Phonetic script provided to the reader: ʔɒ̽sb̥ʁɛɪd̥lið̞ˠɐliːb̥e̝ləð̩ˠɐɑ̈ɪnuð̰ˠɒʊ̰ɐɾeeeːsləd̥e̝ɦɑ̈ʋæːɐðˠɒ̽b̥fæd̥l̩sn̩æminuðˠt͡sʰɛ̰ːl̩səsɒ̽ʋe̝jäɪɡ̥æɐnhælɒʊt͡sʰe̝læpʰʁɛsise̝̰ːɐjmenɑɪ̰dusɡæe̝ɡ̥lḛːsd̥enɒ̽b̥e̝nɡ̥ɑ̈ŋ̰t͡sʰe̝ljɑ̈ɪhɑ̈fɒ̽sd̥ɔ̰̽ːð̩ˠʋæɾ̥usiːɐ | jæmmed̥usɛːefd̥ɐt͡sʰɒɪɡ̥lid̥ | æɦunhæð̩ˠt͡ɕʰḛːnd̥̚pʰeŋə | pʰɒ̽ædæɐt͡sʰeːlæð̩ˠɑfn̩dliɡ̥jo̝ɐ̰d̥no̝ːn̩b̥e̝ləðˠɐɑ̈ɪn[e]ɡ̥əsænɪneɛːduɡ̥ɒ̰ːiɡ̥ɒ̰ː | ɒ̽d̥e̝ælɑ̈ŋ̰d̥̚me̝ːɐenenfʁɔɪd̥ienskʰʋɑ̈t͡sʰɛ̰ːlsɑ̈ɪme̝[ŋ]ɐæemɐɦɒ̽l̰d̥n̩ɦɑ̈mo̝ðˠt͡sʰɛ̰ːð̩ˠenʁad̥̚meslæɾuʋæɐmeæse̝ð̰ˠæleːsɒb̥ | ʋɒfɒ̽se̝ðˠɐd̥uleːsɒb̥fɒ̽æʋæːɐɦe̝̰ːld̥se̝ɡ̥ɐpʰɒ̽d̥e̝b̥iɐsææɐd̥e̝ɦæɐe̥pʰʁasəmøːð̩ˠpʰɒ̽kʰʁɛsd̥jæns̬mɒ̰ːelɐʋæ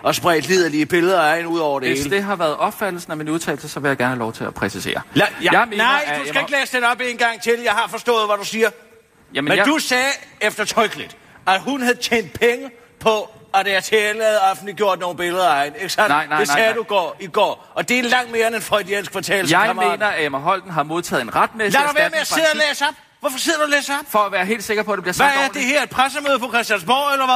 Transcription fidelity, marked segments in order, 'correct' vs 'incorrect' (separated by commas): correct, incorrect